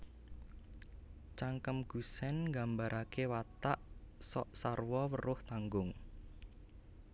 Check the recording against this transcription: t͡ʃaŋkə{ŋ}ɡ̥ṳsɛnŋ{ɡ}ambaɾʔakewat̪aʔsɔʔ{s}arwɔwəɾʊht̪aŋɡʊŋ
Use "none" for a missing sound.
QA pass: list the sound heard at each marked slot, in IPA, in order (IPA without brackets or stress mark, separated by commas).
m, ɡ, s